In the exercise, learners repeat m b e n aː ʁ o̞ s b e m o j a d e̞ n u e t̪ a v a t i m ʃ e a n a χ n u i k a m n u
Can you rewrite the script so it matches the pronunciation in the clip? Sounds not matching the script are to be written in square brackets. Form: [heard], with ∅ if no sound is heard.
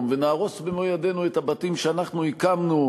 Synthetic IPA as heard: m [v] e n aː ʁ o̞ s b e m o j a d e̞ n u e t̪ a [b] a t i m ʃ e a n a χ n u i k a m n u